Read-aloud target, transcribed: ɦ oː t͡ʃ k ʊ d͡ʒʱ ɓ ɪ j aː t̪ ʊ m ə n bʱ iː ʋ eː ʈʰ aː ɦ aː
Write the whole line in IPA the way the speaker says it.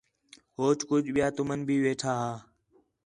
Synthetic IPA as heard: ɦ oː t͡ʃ k ʊ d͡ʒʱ ɓ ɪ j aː t̪ ʊ m ə n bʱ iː ʋ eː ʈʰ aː ɦ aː